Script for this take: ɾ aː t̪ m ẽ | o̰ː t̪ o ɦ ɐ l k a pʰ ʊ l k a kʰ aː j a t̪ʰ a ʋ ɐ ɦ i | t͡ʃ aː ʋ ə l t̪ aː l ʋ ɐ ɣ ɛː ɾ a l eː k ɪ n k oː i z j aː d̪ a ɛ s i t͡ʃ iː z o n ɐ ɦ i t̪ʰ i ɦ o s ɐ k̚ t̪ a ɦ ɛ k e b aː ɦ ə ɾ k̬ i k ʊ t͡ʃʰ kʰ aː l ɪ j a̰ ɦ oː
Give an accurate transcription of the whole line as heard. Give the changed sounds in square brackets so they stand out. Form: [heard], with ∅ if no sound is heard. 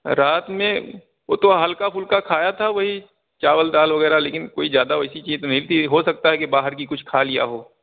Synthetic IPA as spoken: ɾ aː t̪ m ẽ | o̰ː t̪ o ɦ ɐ l k a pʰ ʊ l k a kʰ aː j a t̪ʰ a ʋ ɐ ɦ i | t͡ʃ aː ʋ ə l [d̪] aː l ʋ ɐ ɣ ɛː ɾ a l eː k ɪ n k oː i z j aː d̪ a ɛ s i t͡ʃ iː z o n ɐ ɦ i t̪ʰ i ɦ o s ɐ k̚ t̪ a ɦ ɛ k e b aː ɦ ə ɾ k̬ i k ʊ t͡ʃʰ kʰ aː l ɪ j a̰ ɦ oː

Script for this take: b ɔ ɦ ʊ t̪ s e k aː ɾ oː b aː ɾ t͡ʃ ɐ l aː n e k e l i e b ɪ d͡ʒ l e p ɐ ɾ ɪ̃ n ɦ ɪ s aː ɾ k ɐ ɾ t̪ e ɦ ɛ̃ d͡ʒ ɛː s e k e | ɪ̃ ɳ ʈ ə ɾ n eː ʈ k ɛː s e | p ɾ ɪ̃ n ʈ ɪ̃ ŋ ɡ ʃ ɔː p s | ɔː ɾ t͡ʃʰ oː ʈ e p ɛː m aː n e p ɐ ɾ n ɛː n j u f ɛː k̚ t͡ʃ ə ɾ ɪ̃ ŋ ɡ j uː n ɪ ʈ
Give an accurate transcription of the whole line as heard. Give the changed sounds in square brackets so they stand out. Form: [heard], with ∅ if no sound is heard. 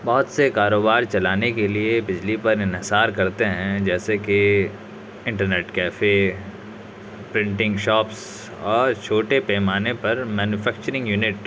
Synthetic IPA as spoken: b ɔ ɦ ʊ t̪ s e k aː ɾ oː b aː ɾ t͡ʃ ɐ l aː n e k e l i e b ɪ d͡ʒ l [i] p ɐ ɾ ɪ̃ n ɦ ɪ s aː ɾ k ɐ ɾ t̪ e ɦ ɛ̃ d͡ʒ ɛː s e k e | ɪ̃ ɳ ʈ ə ɾ n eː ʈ k ɛː [f] e | p ɾ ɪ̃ [ɳ] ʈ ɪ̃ ŋ ɡ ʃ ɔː p s | ɔː ɾ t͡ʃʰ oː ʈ e p ɛː m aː n e p ɐ ɾ [m] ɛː n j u f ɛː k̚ t͡ʃ ə ɾ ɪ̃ ŋ ɡ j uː n ɪ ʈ

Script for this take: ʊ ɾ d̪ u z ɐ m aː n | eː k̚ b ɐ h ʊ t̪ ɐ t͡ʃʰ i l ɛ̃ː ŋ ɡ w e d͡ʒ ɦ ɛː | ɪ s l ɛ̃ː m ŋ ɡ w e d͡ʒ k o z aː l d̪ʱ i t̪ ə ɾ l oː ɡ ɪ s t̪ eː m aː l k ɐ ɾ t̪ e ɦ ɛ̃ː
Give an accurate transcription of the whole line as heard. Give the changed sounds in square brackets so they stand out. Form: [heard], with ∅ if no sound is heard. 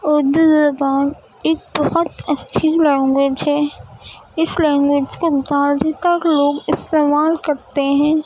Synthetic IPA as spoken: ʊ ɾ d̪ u z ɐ [b] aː n | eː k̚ b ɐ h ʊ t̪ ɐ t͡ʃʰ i l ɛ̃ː ŋ ɡ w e d͡ʒ ɦ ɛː | ɪ s l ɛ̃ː [∅] ŋ ɡ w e d͡ʒ k o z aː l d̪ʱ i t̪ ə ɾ l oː ɡ ɪ s t̪ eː m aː l k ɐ ɾ t̪ e ɦ ɛ̃ː

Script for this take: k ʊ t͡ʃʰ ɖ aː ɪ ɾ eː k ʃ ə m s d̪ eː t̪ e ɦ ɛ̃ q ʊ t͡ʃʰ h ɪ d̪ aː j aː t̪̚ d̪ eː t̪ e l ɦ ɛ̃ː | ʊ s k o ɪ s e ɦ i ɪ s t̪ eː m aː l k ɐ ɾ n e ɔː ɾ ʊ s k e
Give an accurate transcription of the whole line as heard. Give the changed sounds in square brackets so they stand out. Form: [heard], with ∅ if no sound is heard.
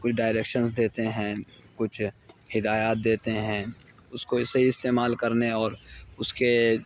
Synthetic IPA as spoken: k ʊ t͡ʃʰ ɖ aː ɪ ɾ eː k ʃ ə [n] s d̪ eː t̪ e ɦ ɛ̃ [k] ʊ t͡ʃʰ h ɪ d̪ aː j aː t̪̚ d̪ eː t̪ e [∅] ɦ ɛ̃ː | ʊ s k o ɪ s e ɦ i ɪ s t̪ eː m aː l k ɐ ɾ n e ɔː ɾ ʊ s k e

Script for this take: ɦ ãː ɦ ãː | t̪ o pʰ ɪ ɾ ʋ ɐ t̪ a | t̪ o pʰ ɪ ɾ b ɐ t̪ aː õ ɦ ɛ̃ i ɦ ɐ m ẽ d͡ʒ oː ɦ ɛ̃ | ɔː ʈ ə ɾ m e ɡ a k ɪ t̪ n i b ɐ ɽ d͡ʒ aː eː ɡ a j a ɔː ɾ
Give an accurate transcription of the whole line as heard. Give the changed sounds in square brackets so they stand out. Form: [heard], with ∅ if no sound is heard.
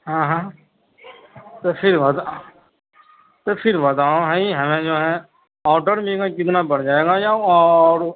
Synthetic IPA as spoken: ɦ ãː ɦ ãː | t̪ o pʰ ɪ ɾ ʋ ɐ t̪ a | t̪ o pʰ ɪ ɾ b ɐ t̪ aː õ ɦ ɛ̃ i ɦ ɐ m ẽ d͡ʒ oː ɦ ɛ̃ | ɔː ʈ ə ɾ m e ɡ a k ɪ t̪ n [a] b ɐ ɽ d͡ʒ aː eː ɡ a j a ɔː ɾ

